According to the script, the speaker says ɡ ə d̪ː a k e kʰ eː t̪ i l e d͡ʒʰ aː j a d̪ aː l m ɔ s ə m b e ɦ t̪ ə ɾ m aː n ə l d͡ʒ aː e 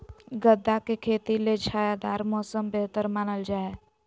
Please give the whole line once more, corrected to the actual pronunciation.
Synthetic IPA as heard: ɡ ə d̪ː a k e kʰ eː t̪ i l e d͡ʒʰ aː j a d̪ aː ɾ m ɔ s ə m b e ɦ t̪ ə ɾ m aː n ə l d͡ʒ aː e

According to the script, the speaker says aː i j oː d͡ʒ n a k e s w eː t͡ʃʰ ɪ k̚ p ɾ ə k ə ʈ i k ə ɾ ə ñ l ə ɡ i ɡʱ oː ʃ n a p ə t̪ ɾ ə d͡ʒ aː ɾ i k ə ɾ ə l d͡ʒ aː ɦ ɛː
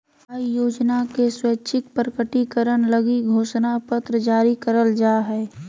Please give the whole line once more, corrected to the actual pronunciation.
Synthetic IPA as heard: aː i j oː d͡ʒ n a k e s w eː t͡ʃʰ ɪ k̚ p ɾ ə k ə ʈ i k ə ɾ ə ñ l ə ɡ i ɡʱ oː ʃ n a p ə t̪ ɾ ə d͡ʒ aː ɾ i k ə ɾ ə l d͡ʒ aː ɦ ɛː

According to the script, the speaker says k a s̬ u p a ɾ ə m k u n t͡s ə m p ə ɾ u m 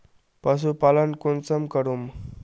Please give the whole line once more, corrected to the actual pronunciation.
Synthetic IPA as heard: p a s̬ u p a l ə n k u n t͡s ə m k ə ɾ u m

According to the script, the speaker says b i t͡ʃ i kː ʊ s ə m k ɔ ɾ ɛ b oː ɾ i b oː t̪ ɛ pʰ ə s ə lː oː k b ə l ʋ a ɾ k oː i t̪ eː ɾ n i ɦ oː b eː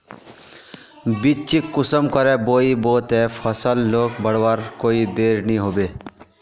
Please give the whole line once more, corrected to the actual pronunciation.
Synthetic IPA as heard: b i t͡ʃ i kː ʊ s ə m k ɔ ɾ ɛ b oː i b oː t̪ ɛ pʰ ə s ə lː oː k b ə ɽ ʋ a ɾ k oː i d̪ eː ɾ n i ɦ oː b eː

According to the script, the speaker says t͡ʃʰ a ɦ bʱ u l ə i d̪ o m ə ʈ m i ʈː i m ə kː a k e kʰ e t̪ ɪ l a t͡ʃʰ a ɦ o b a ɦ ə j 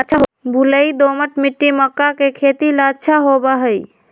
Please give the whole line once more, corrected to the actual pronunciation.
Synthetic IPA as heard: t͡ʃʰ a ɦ bʱ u l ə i d̪ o m ə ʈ m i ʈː i m ə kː a k e kʰ e t̪ i l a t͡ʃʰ a ɦ o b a ɦ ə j

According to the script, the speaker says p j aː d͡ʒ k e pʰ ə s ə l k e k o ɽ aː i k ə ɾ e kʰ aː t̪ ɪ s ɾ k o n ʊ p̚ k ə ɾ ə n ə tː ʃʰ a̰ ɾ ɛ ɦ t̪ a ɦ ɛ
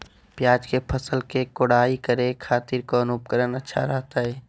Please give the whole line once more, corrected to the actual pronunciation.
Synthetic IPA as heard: p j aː d͡ʒ k e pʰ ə s ə l k e k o ɽ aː i k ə ɾ e kʰ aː t̪ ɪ ɾ k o n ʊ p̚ k ə ɾ ə n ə tː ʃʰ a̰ ɾ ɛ ɦ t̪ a ɦ ɛː

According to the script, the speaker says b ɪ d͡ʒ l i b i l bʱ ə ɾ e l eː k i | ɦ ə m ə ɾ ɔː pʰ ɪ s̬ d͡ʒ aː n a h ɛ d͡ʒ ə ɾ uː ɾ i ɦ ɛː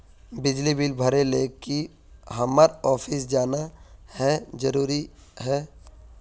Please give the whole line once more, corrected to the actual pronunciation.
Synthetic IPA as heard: b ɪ d͡ʒ l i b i l bʱ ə ɾ e l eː k i | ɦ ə m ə ɾ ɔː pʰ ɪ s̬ d͡ʒ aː n a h ɛ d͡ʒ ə ɾ uː ɾ i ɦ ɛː

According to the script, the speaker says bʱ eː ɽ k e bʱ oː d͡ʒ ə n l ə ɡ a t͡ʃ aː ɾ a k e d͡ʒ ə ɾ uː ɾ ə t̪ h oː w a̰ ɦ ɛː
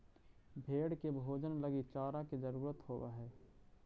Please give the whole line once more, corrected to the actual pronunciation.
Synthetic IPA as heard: bʱ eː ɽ k e bʱ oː d͡ʒ ə n l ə ɡ i t͡ʃ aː ɾ a k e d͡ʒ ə ɾ uː ɾ ə t̪ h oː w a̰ ɦ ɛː

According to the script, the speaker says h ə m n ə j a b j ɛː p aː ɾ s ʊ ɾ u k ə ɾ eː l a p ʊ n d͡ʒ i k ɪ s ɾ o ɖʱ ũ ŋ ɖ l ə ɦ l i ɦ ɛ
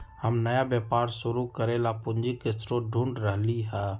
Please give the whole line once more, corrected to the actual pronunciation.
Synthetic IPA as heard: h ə m n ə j a b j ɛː p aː ɾ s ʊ ɾ u k ə ɾ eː l a p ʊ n d͡ʒ i k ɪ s ɾ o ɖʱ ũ ɳ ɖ ɾ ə ɦ l i ɦ ɛ

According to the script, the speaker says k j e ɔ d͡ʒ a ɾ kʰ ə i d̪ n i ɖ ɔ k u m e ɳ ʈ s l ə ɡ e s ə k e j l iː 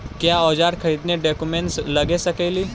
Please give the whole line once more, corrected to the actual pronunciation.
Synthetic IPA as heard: k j a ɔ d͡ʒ a ɾ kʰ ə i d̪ n e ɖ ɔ k u m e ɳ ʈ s l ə ɡ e s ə k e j l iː

